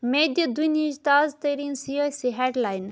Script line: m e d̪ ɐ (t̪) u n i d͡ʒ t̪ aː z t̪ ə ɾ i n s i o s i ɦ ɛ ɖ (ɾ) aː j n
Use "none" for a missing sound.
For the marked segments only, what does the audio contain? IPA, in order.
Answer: d̪, l

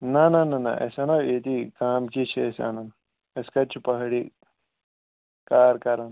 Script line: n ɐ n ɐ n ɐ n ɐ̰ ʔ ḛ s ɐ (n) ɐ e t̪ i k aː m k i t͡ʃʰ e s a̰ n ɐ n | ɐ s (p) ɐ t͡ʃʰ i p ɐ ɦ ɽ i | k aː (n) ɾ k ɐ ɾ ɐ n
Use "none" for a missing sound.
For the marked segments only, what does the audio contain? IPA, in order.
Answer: n, k, none

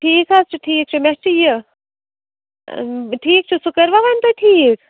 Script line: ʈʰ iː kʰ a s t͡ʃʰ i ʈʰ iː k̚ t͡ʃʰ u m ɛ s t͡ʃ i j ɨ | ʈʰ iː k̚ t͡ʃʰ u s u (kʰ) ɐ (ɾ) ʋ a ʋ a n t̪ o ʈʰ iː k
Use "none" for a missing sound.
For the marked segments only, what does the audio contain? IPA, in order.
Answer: k, ɾ

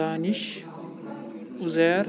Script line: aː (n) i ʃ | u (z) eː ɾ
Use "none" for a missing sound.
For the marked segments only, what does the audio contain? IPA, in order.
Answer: n, z

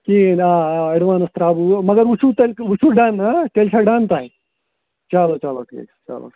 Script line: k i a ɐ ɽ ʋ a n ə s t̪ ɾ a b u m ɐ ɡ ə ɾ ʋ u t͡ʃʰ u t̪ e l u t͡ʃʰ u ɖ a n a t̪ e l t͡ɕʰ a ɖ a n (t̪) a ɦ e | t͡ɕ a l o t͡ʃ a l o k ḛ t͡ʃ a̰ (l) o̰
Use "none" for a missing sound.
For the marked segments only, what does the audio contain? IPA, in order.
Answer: t̪, l

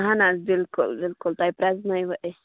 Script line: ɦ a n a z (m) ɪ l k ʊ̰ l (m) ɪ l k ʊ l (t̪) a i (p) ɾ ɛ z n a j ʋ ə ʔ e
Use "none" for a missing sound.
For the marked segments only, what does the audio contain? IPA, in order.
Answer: b, b, t̪, p

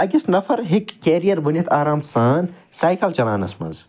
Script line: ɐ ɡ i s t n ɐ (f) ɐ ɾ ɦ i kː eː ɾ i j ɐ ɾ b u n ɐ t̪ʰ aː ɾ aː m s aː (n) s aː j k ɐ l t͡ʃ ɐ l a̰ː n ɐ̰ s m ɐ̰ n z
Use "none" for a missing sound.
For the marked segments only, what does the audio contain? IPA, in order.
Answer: f, n

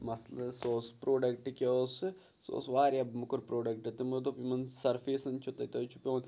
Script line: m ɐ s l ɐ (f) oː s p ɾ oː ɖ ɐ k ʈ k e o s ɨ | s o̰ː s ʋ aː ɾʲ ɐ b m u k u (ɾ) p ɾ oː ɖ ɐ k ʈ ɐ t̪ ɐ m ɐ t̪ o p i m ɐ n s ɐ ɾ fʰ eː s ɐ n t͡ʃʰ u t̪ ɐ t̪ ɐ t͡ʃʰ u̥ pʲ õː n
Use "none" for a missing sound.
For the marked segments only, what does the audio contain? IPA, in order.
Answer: s, ɾ

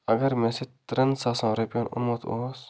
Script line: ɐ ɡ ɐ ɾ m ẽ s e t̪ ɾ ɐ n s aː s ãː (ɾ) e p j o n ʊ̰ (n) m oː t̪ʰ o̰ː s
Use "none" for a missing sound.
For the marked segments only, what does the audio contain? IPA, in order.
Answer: ɾ, n

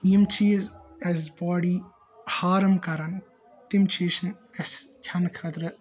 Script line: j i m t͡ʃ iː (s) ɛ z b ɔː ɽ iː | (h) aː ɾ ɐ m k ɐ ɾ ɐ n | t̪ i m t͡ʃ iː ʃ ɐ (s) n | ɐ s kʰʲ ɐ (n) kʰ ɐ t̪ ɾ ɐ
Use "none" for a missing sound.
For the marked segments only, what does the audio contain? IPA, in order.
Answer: z, h, none, n

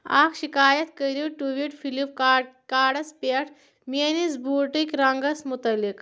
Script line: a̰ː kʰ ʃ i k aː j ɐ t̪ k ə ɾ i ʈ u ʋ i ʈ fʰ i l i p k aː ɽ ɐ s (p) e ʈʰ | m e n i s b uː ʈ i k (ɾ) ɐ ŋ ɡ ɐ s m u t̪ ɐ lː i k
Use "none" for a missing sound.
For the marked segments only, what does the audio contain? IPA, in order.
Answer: p, ɾ

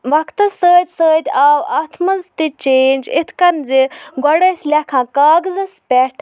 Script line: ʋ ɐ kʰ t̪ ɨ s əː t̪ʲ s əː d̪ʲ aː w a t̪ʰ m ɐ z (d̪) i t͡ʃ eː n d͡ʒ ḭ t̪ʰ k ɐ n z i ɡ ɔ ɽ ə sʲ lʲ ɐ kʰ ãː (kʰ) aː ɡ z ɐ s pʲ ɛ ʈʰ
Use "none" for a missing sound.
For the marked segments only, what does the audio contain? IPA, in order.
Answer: t̪, k

